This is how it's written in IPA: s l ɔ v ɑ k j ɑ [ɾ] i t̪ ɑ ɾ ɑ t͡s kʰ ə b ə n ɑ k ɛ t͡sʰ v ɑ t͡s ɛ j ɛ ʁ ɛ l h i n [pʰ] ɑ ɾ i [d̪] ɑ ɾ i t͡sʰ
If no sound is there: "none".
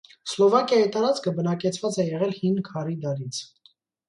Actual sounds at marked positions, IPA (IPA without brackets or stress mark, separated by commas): none, kʰ, d̪